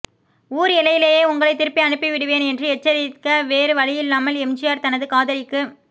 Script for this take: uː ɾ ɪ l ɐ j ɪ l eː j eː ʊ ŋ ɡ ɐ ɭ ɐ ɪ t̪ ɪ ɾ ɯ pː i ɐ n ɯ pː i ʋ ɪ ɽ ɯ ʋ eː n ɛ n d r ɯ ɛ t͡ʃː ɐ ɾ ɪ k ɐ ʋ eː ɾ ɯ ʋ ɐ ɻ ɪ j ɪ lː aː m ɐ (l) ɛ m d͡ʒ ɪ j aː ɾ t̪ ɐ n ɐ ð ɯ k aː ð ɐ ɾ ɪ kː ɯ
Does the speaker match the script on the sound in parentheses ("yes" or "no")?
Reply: yes